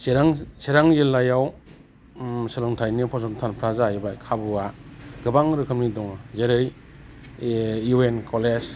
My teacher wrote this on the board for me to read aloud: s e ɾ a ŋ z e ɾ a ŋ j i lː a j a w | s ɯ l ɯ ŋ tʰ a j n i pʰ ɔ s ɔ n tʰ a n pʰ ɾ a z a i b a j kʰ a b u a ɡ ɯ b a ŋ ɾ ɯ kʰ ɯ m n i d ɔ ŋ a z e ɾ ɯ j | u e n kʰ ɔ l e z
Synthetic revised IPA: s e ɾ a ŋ s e ɾ a ŋ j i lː a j a w | s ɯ l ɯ ŋ tʰ a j n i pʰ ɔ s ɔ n tʰ a n pʰ ɾ a z a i b a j kʰ a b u a ɡ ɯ b a ŋ ɾ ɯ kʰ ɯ m n i d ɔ ŋ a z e ɾ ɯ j | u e n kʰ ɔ l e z